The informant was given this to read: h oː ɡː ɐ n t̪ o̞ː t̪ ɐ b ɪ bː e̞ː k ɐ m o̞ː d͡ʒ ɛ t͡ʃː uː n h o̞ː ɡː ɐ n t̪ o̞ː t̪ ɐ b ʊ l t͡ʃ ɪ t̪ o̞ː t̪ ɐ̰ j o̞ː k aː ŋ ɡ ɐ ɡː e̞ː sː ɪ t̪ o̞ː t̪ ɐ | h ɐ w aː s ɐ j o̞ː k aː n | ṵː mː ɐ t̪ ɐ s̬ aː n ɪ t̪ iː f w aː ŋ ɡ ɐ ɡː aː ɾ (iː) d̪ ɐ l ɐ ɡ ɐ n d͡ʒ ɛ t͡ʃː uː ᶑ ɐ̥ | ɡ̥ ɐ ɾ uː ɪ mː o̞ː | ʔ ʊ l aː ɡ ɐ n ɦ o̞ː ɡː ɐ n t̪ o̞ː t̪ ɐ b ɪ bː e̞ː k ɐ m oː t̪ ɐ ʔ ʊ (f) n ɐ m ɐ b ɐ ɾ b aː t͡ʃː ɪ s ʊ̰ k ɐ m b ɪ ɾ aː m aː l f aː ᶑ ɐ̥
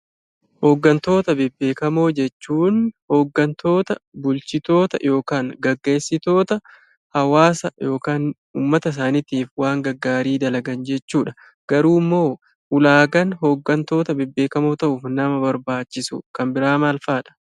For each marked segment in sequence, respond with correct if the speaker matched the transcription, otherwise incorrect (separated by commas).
correct, correct